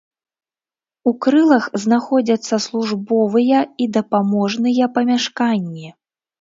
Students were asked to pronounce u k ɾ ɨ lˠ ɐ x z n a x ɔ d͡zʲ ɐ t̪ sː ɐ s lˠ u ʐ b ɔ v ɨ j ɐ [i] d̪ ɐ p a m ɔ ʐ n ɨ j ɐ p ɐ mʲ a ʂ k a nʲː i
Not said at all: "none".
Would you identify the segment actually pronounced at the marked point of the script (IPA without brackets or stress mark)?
i